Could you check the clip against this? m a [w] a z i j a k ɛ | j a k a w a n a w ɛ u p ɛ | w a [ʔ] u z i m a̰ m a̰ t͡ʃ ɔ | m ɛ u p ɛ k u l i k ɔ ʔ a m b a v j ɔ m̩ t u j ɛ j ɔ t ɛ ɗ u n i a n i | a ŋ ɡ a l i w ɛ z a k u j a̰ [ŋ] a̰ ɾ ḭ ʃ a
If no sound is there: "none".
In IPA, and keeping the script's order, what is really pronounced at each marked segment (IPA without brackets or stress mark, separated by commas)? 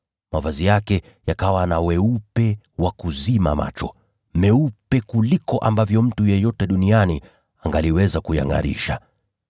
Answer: v, k, ŋ